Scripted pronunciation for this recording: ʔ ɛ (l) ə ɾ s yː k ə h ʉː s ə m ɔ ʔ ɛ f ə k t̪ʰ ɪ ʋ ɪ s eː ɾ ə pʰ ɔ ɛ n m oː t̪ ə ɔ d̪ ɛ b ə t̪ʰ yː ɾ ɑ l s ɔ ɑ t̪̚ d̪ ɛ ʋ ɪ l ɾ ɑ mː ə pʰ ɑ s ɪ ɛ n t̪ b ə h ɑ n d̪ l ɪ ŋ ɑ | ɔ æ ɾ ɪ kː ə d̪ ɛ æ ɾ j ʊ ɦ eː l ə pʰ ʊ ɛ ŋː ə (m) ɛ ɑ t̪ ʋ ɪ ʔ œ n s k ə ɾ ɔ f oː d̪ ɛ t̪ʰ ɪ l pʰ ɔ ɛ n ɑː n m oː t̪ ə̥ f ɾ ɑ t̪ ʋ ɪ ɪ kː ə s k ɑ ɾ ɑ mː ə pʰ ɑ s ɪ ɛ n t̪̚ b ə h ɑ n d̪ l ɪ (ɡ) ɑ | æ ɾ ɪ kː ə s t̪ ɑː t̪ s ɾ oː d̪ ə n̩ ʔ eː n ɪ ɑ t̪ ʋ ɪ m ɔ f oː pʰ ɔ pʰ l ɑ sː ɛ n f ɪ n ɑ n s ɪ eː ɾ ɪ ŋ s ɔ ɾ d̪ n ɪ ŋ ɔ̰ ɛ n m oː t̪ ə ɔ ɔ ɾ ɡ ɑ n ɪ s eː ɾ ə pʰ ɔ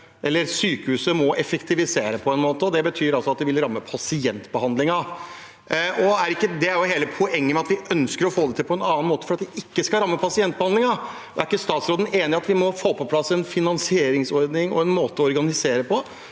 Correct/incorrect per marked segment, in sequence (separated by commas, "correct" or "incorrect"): incorrect, correct, incorrect